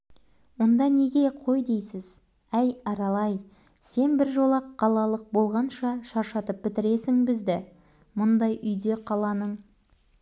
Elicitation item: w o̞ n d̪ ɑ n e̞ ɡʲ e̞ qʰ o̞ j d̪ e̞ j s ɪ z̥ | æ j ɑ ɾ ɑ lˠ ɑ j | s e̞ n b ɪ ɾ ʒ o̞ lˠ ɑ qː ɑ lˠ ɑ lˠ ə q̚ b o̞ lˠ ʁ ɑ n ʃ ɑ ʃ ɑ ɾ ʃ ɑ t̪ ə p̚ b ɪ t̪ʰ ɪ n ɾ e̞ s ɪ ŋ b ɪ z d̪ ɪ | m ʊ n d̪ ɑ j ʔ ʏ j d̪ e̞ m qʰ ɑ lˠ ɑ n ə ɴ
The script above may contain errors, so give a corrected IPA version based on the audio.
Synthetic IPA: w o̞ n d̪ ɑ n e̞ ɡʲ e̞ qʰ o̞ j d̪ e̞ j s ɪ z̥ | æ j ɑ ɾ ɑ lˠ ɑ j | s e̞ n b ɪ ɾ ʒ o̞ lˠ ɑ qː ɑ lˠ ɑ lˠ ə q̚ b o̞ lˠ ʁ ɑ n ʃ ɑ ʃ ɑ ɾ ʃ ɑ t̪ ə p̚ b ɪ t̪ ɪ ɾ e̞ s ɪ ŋ b ɪ z d̪ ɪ | m ʊ n d̪ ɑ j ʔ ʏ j d̪ e̞ qʰ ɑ lˠ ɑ n ə ɴ